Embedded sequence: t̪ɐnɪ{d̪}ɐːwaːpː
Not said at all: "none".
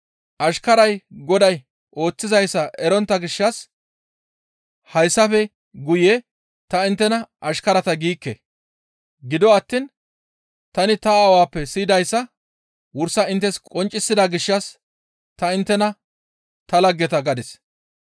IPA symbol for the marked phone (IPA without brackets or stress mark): t̪